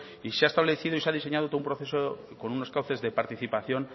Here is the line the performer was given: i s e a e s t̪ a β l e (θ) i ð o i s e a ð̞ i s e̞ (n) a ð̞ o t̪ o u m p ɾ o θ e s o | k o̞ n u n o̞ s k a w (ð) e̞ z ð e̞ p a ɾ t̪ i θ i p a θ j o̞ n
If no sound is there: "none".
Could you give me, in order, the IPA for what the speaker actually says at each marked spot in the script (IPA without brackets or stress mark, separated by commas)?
θ, ɲ, θ